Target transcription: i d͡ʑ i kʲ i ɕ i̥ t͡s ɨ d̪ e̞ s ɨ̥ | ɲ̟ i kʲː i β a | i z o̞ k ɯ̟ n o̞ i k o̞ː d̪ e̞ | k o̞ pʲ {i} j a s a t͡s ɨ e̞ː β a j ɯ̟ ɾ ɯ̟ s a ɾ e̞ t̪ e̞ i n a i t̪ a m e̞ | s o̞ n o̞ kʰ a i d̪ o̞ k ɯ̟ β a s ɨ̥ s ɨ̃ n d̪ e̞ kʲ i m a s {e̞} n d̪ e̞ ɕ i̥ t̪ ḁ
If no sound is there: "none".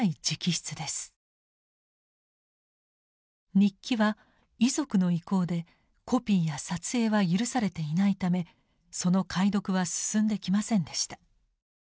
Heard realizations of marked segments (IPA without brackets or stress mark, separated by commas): iː, ẽ̞